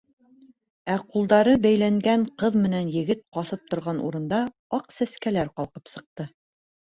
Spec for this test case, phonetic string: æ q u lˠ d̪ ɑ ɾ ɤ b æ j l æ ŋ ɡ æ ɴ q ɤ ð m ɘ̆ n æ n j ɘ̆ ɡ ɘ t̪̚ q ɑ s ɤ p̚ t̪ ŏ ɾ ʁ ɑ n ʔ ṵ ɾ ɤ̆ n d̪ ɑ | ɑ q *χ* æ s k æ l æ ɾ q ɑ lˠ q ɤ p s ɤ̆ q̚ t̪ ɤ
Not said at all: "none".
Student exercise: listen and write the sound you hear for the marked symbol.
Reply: s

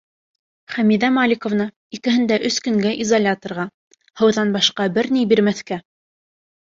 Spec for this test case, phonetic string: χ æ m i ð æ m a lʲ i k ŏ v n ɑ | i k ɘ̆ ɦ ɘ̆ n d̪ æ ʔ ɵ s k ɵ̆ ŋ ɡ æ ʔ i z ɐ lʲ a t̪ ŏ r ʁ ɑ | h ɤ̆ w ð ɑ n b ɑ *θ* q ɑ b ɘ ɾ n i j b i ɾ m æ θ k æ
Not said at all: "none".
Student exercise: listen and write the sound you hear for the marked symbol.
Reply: ʃ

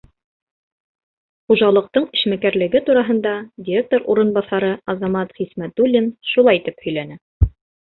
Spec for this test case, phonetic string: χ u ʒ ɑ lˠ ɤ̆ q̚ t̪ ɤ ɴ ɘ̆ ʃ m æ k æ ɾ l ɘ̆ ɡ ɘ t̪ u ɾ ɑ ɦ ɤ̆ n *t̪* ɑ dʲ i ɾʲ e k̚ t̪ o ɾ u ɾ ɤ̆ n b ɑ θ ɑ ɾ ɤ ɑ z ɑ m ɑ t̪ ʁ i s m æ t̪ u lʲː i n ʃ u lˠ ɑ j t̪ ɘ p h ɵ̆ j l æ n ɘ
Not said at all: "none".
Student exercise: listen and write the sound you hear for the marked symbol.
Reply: d̪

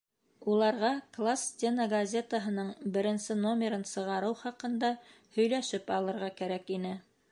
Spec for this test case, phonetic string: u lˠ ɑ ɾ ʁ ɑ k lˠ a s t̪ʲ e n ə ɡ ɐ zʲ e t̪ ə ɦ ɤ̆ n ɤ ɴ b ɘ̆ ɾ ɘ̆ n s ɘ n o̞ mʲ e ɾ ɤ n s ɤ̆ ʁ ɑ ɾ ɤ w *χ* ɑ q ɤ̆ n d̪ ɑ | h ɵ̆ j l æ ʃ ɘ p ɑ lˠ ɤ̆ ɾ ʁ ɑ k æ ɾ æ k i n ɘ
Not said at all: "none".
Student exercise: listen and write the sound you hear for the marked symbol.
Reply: χ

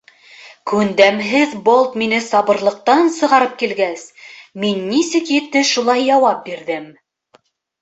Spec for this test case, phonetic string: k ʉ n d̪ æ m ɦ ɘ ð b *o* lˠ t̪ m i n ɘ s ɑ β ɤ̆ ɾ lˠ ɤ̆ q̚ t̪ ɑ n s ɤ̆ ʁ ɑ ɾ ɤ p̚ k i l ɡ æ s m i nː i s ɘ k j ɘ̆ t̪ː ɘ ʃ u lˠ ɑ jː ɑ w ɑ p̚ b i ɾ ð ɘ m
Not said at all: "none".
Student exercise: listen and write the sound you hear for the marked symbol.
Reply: o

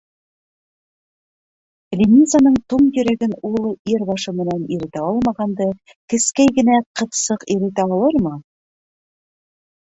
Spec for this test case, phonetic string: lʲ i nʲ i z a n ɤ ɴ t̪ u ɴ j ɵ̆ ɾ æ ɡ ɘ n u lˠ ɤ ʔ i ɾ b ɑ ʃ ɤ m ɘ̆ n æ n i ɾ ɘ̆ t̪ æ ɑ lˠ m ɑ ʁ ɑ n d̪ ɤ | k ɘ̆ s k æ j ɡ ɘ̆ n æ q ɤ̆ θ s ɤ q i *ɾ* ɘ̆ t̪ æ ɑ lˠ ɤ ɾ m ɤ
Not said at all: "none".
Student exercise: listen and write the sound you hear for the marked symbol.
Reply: ɾ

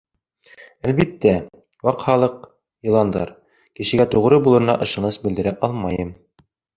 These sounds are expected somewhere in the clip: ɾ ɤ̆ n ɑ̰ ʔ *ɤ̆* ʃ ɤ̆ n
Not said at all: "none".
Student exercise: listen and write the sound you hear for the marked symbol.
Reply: ɤ̆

